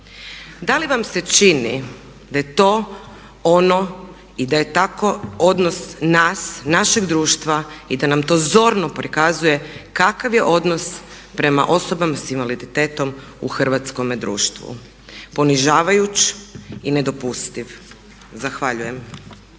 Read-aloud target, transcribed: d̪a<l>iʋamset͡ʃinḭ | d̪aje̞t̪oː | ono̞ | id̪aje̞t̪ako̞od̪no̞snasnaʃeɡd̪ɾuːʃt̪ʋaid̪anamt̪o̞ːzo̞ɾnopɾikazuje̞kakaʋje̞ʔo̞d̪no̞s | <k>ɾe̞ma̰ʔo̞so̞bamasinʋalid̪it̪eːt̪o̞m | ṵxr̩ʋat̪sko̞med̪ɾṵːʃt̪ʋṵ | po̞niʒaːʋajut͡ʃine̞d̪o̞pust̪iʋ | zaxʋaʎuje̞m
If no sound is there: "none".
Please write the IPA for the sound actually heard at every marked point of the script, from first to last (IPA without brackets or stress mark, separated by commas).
l, p